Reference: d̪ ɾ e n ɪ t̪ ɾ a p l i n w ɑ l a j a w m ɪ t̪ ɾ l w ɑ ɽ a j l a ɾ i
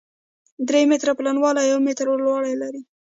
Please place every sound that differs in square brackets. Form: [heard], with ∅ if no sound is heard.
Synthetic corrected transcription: d̪ ɾ e [m] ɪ t̪ ɾ a p l [a] n w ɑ l a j a w m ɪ t̪ ɾ l w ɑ ɽ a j l a ɾ i